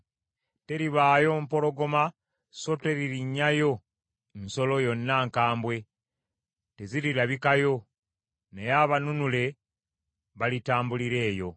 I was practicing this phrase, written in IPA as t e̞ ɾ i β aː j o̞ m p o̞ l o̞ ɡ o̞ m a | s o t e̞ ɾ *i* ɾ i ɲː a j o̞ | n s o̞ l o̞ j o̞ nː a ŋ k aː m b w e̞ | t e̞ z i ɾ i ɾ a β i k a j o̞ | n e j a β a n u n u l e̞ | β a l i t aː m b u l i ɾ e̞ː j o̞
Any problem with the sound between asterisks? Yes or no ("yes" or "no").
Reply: no